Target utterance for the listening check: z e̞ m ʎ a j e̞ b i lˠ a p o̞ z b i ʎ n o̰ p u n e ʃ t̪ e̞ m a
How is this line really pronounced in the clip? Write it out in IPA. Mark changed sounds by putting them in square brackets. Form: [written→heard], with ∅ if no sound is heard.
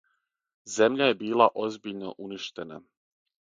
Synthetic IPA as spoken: z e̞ m ʎ a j e̞ b [i→iː] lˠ a [p→ʔ] o̞ z b i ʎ n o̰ [p→ʔ] u n [e→i] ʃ t̪ e̞ [m→n] a